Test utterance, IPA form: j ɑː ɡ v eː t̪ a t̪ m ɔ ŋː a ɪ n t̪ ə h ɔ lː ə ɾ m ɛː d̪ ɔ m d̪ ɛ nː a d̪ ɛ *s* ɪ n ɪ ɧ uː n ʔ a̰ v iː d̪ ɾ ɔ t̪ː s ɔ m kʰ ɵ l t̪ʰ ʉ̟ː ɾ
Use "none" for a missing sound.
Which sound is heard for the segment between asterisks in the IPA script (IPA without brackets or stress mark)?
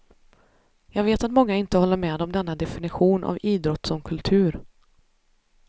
f